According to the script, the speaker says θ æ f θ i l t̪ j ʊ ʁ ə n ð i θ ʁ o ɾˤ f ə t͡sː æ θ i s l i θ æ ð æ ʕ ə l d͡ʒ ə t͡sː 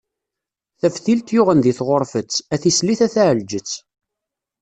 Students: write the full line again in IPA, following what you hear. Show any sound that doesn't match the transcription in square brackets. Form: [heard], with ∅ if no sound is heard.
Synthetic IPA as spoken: θ æ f θ i l t̪ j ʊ ʁ ə n ð i θ ʁ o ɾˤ f ə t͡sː æ θ i s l i θ æ [θ] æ ʕ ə l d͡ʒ ə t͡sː